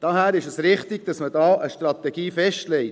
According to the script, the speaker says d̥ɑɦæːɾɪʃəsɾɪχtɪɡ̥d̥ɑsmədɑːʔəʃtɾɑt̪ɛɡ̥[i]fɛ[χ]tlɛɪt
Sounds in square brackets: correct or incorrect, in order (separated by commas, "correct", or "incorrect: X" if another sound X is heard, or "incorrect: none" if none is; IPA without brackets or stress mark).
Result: incorrect: iː, incorrect: ʃ